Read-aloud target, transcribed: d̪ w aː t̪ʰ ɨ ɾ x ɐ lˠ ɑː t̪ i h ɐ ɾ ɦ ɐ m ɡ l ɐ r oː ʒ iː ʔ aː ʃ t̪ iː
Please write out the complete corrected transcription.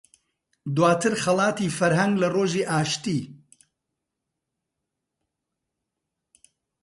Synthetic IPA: d̪ w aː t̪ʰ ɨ ɾ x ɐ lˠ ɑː t̪ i f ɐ ɾ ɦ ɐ ŋ ɡ l ɐ r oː ʒ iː ʔ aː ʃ t̪ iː